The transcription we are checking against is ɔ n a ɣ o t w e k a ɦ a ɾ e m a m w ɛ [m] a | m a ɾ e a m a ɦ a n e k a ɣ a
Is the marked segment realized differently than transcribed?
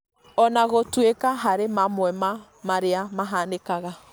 no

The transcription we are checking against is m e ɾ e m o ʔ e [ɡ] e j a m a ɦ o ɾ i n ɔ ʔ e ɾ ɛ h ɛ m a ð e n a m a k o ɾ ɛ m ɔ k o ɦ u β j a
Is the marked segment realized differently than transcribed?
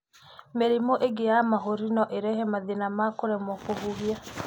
no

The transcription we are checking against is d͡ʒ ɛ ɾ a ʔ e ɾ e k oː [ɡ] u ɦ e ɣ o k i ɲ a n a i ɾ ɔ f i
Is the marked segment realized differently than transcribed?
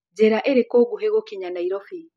no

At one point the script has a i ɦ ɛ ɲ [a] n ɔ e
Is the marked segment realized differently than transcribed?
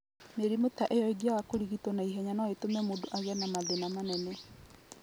no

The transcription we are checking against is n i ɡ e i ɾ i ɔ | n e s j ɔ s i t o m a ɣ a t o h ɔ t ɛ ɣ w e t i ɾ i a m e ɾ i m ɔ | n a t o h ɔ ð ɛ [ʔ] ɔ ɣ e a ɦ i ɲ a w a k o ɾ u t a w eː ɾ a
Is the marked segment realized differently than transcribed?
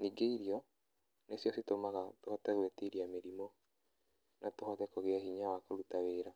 yes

